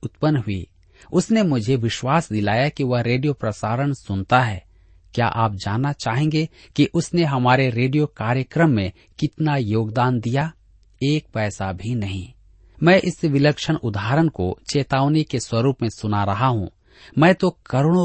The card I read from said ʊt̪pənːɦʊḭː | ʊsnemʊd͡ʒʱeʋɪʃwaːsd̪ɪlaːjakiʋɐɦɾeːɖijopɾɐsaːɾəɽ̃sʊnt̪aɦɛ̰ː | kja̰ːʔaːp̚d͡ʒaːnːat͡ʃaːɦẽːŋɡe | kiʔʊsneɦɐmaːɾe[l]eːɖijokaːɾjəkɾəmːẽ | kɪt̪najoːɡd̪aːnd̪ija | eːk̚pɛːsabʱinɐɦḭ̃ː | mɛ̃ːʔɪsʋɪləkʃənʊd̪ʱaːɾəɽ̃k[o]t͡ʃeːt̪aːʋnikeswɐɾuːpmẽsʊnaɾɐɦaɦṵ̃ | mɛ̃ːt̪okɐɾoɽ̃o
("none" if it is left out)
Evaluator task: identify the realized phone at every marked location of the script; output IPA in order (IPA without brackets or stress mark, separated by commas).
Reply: ɾ, o